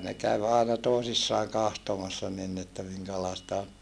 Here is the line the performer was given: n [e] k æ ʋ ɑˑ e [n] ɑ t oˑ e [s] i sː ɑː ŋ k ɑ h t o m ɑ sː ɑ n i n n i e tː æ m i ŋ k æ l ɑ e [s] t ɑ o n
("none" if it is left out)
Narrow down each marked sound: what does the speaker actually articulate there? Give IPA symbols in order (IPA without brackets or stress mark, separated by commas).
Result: e, n, s, s